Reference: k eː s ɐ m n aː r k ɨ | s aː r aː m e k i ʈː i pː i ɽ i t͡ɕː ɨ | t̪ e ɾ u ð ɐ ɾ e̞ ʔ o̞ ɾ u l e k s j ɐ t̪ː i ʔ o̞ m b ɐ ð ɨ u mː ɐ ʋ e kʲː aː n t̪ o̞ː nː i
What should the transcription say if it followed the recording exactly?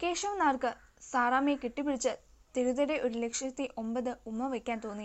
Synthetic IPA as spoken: k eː ʂ ɐ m n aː r k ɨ | s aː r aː m e k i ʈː i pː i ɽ i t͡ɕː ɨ | t̪ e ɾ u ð ɐ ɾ e̞ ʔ o̞ ɾ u l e k ʂ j ɐ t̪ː i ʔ o̞ m b ɐ ð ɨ u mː ɐ ʋ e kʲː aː n t̪ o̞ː nː i